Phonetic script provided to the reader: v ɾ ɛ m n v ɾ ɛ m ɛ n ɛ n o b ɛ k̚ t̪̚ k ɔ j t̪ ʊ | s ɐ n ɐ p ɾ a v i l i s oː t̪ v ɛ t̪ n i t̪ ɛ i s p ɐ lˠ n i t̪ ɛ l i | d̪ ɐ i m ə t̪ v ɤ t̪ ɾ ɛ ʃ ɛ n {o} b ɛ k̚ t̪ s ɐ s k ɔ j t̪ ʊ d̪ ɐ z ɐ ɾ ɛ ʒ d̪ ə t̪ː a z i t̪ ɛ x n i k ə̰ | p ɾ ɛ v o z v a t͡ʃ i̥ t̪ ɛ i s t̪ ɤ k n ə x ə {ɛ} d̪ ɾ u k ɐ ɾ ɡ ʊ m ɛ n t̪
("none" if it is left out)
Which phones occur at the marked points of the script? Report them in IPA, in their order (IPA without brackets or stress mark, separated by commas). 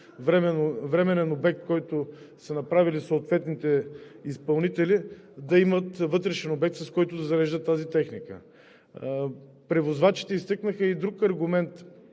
o, i